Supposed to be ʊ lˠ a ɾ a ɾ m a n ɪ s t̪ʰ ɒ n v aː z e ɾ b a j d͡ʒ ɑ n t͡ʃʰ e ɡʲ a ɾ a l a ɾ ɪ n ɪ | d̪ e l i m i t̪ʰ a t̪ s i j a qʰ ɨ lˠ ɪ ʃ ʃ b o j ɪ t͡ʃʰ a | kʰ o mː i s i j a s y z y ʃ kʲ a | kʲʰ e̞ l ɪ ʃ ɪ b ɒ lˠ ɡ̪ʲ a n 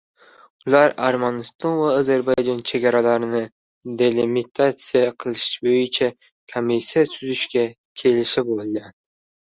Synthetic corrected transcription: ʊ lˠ a ɾ a ɾ m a n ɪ s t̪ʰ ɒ n v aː z e ɾ b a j d͡ʒ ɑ n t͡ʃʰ e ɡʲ a ɾ a l a ɾ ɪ n ɪ | d̪ e l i m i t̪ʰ a t̪ s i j a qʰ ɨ lˠ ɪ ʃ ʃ b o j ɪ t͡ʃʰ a | kʰ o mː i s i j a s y z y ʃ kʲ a | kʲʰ e̞ l ɪ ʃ ɪ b o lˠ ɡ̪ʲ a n